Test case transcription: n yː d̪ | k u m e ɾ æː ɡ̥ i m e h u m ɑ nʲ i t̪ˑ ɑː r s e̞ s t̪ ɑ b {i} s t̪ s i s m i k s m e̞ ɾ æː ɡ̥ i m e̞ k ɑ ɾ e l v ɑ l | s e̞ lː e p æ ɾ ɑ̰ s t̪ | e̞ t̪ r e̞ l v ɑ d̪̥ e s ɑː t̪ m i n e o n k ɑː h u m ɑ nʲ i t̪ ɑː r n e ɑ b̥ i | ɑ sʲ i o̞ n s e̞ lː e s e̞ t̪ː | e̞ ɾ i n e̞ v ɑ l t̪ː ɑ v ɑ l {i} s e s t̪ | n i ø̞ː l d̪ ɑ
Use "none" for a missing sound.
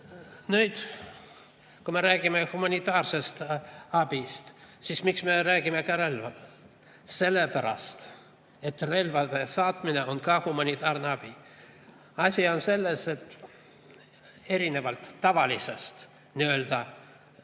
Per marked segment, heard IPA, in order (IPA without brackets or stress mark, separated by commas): i, i